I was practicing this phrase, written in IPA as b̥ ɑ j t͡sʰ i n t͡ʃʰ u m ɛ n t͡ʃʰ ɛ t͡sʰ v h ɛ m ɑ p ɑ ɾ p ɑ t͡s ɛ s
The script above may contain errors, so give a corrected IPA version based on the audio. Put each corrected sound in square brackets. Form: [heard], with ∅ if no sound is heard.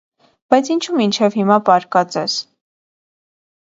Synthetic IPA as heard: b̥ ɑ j t͡sʰ i n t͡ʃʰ u m [i] n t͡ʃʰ ɛ [∅] v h [i] m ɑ p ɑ ɾ [k] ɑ t͡s ɛ s